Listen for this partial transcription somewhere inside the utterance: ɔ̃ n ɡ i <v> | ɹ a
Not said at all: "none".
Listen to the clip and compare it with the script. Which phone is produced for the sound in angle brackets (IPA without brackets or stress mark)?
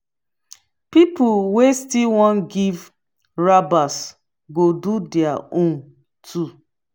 v